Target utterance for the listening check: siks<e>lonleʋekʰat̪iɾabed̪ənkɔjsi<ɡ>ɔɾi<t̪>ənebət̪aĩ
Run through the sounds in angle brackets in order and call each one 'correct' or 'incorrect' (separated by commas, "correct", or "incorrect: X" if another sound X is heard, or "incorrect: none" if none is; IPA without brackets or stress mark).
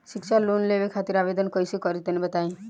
incorrect: a, incorrect: k, correct